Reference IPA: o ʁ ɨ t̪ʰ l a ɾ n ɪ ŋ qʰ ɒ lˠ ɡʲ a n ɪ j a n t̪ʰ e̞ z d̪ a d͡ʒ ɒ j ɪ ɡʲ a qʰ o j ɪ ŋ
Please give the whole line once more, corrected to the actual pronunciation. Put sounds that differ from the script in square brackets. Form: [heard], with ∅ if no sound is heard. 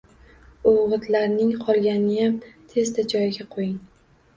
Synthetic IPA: o ʁ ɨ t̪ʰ l a ɾ n ɪ ŋ qʰ ɒ lˠ ɡʲ a n ɪ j a [m] t̪ʰ e̞ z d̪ a d͡ʒ ɒ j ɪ ɡʲ a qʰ o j ɪ ŋ